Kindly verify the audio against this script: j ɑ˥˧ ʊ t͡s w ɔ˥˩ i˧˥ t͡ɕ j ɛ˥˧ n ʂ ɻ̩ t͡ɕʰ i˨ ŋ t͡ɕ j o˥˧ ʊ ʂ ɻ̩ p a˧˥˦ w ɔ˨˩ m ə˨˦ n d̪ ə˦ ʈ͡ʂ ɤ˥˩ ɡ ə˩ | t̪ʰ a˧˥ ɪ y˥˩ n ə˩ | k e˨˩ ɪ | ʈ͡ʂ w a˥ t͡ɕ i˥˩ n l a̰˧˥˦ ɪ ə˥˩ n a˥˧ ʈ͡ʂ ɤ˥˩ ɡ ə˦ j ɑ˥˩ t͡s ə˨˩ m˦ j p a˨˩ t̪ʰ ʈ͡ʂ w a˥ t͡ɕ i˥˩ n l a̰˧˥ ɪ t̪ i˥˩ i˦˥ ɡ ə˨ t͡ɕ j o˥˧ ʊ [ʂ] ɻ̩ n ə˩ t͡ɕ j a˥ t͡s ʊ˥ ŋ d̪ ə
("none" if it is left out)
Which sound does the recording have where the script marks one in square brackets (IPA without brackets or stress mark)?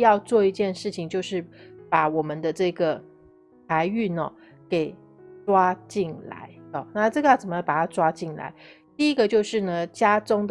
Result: ʂ